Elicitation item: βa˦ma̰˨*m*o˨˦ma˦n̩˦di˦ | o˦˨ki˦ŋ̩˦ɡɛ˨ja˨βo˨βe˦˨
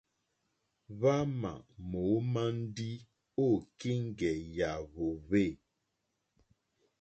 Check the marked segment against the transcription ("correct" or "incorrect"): correct